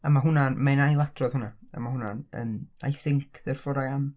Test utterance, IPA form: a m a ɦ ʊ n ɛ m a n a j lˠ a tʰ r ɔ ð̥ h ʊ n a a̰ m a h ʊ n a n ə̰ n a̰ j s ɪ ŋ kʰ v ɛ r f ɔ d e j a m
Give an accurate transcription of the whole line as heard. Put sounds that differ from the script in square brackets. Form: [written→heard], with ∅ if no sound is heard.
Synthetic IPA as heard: a m a ɦ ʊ n [ɛ→a] m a n a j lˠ a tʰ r ɔ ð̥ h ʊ n a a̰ m a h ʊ n a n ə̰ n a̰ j [s→θ] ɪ ŋ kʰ [v→ð] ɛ r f ɔ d [e→a] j a m